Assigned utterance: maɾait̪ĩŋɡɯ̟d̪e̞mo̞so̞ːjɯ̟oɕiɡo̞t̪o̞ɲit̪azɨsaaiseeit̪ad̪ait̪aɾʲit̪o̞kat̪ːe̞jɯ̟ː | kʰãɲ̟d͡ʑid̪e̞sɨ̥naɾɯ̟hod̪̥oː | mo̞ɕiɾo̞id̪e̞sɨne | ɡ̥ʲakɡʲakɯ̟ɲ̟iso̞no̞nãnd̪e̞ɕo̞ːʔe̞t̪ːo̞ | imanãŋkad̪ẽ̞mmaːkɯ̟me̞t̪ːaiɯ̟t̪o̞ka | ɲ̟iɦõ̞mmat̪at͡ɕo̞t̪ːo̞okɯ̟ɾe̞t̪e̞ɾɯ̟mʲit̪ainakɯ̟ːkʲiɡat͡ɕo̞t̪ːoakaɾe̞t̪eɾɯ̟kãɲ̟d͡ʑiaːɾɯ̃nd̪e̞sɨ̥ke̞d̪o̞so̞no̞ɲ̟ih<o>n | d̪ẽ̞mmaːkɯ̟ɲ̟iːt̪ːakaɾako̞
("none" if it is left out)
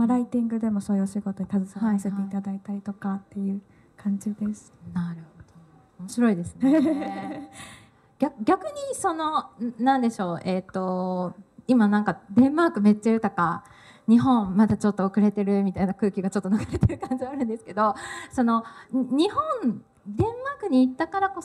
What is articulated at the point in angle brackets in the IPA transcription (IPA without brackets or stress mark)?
õ